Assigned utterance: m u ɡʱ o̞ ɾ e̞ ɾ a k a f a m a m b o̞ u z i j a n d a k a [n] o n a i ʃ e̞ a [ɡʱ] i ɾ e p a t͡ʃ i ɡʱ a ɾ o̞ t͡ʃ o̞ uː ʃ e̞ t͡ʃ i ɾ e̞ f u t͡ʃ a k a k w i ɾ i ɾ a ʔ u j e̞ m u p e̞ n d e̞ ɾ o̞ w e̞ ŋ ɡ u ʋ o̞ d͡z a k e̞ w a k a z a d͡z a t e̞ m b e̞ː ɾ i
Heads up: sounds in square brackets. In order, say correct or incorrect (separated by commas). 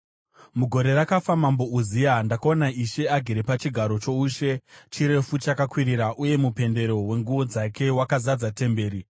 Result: incorrect, correct